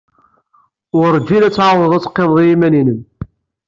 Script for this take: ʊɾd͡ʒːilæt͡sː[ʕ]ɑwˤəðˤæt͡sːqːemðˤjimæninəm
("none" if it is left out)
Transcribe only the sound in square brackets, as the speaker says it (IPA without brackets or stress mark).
ʕ